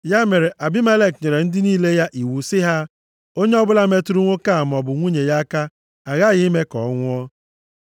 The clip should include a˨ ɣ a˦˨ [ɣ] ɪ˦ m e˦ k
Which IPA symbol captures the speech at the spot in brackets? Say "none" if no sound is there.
ɣ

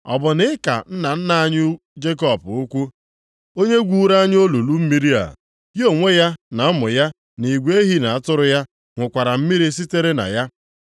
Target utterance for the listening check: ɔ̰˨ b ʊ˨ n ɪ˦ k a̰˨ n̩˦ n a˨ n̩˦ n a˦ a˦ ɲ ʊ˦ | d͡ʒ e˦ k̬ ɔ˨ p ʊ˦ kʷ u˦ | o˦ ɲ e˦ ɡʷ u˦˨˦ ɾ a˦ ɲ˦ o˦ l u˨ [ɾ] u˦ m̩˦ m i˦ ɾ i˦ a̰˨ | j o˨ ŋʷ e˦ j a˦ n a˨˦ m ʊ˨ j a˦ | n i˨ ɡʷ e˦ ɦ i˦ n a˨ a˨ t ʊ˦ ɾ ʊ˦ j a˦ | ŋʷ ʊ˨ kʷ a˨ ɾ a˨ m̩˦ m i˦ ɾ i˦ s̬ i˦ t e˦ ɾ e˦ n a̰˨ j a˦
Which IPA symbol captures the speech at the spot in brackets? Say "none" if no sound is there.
l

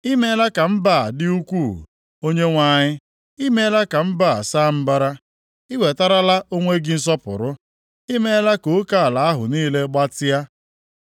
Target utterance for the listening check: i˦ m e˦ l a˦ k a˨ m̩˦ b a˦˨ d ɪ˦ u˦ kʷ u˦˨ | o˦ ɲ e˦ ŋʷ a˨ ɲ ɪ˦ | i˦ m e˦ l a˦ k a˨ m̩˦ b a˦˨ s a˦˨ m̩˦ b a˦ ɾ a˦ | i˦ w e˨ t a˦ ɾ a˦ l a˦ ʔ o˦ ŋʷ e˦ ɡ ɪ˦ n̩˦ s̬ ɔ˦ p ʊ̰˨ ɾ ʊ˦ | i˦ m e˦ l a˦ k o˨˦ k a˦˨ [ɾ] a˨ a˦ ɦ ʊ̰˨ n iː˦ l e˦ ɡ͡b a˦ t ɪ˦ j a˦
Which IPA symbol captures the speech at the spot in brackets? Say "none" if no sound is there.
l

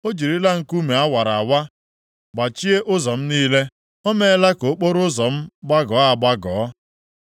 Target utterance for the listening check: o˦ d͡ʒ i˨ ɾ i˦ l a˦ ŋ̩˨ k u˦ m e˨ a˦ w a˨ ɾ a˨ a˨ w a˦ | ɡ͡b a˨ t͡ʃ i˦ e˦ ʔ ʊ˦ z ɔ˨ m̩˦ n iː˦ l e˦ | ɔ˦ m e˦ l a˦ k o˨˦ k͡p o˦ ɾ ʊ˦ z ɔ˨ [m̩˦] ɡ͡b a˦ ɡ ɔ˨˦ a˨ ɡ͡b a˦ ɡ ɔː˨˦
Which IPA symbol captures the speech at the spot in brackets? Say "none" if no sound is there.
m̩˦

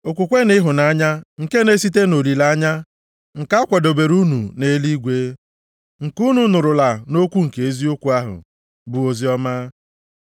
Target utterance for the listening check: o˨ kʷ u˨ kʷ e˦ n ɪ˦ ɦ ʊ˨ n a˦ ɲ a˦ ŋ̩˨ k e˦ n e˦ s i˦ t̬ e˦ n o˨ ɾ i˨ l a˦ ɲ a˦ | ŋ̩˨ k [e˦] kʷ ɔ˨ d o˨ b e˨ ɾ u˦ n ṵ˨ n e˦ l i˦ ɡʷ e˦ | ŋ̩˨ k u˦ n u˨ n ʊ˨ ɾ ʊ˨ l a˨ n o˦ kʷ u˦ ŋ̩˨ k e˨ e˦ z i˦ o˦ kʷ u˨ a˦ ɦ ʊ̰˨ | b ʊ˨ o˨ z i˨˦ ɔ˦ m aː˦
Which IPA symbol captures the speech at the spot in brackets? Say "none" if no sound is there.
a˦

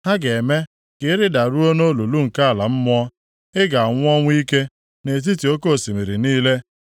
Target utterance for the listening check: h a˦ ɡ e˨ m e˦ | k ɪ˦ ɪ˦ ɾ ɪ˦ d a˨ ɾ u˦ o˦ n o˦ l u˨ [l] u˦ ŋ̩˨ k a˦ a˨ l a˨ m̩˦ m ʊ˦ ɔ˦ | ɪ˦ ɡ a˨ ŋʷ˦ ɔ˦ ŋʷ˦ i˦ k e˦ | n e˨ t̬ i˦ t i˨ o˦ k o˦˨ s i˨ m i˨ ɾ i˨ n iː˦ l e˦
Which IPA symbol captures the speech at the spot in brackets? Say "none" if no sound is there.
l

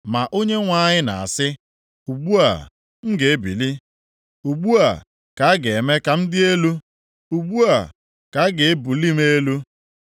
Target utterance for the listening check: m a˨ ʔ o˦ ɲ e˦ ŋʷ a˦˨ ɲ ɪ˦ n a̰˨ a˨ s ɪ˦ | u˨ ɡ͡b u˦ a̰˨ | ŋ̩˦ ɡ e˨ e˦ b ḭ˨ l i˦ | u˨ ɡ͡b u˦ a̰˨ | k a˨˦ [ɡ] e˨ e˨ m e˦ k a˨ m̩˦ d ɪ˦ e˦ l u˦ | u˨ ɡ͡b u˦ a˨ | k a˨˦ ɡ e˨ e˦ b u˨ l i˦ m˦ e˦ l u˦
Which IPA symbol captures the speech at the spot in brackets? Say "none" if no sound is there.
ɡ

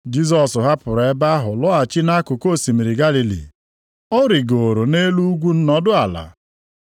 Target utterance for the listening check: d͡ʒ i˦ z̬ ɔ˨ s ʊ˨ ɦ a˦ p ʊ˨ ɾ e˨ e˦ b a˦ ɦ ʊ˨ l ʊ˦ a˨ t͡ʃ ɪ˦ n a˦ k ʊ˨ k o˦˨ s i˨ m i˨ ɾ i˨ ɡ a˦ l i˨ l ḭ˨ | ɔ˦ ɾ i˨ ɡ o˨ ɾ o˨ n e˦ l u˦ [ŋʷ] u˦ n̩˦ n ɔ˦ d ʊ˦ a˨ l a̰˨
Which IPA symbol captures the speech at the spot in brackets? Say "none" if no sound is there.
ɡʷ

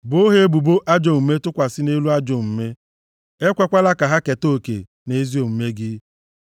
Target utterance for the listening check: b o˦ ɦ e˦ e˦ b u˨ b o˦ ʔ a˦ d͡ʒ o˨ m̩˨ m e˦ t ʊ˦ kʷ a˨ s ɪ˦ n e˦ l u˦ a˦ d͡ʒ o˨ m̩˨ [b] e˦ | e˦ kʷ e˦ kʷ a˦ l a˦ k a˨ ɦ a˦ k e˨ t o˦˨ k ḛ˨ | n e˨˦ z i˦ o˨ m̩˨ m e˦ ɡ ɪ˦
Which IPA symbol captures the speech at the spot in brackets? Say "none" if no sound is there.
m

